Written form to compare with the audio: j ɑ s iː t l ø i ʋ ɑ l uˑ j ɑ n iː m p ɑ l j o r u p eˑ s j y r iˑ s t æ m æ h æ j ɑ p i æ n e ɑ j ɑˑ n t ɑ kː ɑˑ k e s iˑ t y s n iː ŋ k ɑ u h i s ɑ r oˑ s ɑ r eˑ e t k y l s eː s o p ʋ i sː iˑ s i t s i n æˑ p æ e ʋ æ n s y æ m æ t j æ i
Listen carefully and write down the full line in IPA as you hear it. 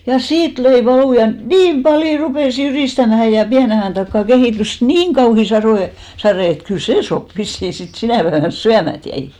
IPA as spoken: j ɑ s iː t l ø i ʋ ɑ l uˑ j ɑ n iː m p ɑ l j o r u p eˑ s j y r iˑ s t æ m æ h æ j ɑ p i æ n e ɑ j ɑˑ n t ɑ kː ɑˑ k e h iˑ t y s n iː ŋ k ɑ u h i s ɑ r oˑ s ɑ r eˑ e t k y l s eː s o p ʋ i sː iˑ s i t s i n æˑ p æ e ʋ æ n s y æ m æ t j æ i